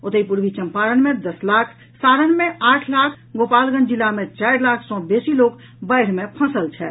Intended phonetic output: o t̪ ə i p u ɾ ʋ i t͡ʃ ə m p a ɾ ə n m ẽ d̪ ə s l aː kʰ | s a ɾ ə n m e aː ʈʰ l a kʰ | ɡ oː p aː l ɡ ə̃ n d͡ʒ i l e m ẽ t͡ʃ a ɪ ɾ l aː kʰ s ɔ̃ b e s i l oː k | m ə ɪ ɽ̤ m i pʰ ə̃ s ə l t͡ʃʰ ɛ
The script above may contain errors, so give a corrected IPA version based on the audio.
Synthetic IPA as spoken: o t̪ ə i p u ɾ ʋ i t͡ʃ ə m p a ɾ ə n m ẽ d̪ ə s l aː kʰ | s a ɾ ə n m e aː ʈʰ l a kʰ | ɡ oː p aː l ɡ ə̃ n d͡ʒ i l a m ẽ t͡ʃ a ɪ ɾ l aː kʰ s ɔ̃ b e s i l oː k | b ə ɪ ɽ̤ m e pʰ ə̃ s ə l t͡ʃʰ ɛ